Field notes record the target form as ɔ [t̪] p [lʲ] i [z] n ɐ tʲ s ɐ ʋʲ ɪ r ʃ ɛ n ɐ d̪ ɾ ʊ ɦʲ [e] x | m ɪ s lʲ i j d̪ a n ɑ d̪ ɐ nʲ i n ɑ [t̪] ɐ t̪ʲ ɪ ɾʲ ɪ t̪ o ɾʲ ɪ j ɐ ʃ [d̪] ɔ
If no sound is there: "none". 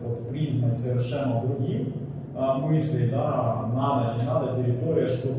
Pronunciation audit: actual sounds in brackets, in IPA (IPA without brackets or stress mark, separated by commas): t̪, ɾʲ, z, i, d̪, t̪